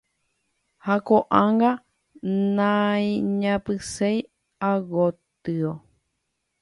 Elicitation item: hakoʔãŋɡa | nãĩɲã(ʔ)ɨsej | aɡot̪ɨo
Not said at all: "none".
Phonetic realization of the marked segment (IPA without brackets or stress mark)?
p